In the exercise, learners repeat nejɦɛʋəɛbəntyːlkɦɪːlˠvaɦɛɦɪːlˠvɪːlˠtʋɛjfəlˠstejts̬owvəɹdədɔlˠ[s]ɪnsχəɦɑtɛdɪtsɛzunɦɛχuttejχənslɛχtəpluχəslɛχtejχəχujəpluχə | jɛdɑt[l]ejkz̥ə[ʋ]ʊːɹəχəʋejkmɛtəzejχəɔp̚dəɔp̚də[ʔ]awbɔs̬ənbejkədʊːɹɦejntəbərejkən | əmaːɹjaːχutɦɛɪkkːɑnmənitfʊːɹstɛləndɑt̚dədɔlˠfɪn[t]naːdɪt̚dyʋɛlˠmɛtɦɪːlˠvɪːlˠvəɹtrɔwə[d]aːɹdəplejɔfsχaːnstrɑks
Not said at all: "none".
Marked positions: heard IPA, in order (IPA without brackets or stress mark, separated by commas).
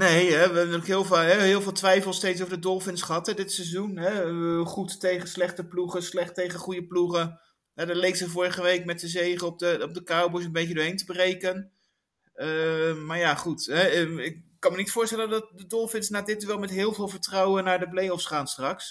f, l, v, k, s, n